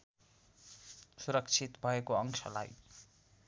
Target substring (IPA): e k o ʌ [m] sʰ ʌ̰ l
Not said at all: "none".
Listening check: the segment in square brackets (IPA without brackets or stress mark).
ŋ